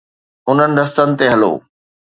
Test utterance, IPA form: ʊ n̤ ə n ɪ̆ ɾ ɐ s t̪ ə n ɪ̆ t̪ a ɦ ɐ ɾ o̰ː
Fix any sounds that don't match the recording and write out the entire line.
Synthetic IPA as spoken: ʊ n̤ ə n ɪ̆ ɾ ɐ s t̪ ə n ɪ̆ t̪ e ɦ ɐ l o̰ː